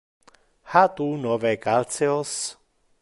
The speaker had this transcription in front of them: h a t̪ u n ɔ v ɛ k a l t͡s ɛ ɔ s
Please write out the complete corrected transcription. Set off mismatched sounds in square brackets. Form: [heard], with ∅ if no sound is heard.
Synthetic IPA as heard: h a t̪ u n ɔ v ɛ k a l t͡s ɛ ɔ s